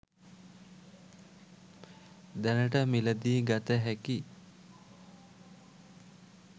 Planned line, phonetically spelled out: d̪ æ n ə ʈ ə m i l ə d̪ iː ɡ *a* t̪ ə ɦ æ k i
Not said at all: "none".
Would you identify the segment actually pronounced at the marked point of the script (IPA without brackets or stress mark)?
a